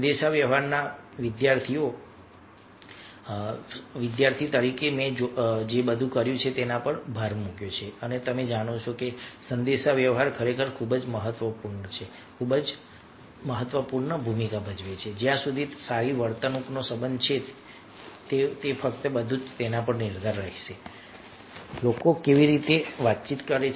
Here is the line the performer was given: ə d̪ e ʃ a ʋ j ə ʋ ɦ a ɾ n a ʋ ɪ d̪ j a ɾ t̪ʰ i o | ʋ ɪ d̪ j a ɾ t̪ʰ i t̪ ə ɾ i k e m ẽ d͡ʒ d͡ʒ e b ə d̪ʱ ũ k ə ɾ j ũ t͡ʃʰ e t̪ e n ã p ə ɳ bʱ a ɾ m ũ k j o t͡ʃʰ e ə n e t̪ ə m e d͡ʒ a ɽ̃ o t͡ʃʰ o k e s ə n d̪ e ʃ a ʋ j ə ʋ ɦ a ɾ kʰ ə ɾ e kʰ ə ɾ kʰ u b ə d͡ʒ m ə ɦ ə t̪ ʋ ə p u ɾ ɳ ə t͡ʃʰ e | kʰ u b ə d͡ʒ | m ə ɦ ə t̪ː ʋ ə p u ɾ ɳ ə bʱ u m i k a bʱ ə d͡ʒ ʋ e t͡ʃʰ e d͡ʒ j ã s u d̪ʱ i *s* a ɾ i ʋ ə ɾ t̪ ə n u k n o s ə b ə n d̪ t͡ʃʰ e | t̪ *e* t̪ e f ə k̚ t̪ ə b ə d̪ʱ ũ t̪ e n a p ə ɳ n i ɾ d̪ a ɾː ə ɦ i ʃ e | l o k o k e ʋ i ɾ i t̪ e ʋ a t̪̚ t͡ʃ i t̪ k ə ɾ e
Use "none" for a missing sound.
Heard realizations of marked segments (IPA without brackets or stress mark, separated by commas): s, e